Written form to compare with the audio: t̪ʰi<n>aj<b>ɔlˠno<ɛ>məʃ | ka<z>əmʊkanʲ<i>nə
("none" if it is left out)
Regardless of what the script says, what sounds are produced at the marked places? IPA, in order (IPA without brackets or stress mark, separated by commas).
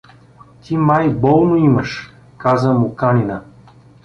m, b, i, z, i